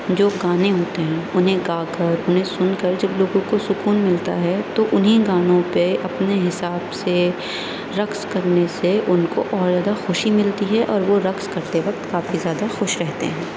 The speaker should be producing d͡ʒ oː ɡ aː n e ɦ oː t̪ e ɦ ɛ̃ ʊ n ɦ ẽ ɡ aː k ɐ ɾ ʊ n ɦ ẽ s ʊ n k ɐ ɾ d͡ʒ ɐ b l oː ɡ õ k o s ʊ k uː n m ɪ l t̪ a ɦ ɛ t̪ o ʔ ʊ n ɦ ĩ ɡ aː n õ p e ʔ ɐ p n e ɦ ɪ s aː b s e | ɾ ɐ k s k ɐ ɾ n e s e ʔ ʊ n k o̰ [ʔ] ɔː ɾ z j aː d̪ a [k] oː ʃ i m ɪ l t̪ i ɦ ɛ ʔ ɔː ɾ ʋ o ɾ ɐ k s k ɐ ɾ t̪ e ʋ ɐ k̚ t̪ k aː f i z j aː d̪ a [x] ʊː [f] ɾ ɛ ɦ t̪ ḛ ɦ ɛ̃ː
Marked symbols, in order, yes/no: yes, no, yes, no

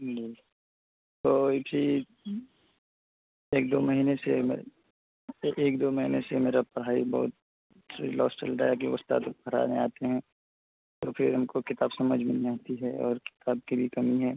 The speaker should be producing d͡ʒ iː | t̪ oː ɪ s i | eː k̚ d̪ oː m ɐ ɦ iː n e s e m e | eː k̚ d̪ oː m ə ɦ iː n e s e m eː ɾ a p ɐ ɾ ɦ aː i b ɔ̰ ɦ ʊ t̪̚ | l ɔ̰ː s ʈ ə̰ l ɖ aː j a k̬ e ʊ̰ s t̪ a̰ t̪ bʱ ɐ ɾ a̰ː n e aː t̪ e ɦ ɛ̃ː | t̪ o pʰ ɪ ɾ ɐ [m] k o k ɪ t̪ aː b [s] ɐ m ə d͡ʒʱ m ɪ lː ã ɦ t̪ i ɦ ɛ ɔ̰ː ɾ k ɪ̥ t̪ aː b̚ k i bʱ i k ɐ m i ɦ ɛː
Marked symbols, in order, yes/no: yes, yes

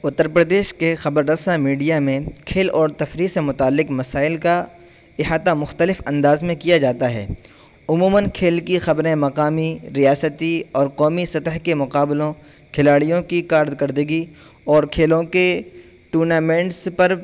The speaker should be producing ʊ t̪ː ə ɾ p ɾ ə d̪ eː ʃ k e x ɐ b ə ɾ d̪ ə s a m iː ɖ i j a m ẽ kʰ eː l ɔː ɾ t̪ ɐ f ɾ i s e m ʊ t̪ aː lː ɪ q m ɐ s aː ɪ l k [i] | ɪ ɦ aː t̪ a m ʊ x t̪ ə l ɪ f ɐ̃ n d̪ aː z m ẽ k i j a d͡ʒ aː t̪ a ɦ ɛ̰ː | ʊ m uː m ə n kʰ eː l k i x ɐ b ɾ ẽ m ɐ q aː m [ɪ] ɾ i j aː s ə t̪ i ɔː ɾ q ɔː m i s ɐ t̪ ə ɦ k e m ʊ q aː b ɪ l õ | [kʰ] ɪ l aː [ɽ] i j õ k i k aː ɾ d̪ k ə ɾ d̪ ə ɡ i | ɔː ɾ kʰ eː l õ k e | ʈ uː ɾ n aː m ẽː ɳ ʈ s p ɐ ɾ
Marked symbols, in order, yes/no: no, no, yes, yes

